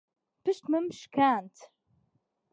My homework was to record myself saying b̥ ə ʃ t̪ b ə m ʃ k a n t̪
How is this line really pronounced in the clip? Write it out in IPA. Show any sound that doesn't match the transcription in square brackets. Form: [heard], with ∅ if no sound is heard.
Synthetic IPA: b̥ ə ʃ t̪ [m] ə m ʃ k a n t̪